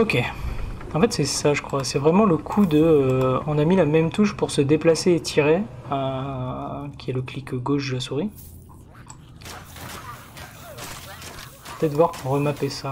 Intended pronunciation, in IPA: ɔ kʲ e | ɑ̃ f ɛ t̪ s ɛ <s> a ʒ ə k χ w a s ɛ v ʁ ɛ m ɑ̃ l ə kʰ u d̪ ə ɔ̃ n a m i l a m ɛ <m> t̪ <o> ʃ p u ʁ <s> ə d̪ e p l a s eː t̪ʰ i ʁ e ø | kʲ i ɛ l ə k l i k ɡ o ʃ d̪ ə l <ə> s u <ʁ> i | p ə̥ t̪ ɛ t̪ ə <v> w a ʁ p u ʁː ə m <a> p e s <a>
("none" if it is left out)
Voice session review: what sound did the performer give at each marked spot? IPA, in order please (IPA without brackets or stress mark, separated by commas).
s, m, u, s, a, ʁ, v, a, a